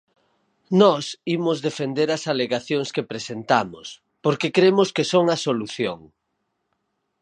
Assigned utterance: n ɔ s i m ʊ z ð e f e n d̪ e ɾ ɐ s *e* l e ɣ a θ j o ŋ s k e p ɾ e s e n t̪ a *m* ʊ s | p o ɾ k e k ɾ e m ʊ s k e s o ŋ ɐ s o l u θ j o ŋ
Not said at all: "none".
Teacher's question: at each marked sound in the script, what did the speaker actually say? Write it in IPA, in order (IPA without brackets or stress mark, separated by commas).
a, m